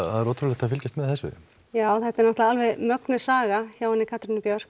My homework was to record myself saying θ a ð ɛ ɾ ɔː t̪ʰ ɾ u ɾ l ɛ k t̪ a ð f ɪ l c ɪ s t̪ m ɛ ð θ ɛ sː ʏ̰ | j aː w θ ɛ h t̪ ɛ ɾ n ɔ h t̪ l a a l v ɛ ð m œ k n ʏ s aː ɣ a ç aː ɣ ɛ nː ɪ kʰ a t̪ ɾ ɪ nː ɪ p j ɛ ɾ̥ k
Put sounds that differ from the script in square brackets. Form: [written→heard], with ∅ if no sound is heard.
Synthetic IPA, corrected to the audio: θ a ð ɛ ɾ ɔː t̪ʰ ɾ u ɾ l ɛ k t̪ a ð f ɪ l c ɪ s t̪ m ɛ ð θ ɛ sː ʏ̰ | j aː w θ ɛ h t̪ ɛ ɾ n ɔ h t̪ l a a l v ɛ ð m œ k n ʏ s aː ɣ a ç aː [ɣ→w] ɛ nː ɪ kʰ a t̪ ɾ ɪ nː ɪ p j [ɛ→œ] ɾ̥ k